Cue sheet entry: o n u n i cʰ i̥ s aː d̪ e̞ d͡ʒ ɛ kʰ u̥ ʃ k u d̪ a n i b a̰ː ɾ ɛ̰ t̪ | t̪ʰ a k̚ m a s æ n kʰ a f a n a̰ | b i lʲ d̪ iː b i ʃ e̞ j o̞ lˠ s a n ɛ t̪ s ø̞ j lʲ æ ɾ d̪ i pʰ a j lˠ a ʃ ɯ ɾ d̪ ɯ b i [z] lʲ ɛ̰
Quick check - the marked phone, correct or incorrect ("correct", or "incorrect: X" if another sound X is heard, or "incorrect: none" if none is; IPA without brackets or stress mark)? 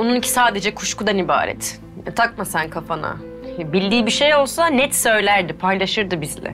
correct